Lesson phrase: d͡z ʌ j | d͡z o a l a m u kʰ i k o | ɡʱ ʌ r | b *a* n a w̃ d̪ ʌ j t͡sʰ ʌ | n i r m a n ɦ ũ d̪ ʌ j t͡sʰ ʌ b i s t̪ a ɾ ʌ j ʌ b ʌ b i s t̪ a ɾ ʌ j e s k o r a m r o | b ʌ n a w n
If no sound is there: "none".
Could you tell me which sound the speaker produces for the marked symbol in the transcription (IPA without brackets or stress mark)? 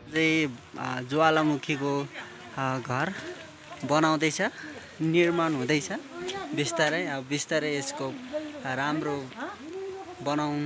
ʌ